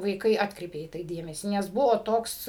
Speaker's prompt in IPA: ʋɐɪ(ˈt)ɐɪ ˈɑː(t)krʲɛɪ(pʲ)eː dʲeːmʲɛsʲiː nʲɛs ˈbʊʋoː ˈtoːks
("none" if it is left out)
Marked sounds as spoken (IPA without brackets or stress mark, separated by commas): k, t, pʲ